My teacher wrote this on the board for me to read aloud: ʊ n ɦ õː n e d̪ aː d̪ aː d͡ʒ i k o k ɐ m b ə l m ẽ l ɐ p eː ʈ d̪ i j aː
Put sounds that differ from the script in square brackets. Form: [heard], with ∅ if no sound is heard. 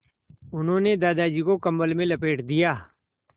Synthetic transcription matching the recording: ʊ n ɦ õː n e d̪ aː d̪ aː d͡ʒ i k o k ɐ m b ə l m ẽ l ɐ p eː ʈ d̪ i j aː